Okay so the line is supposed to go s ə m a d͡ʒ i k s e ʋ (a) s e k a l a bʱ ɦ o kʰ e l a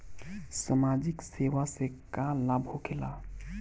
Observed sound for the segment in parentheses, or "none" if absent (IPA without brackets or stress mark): a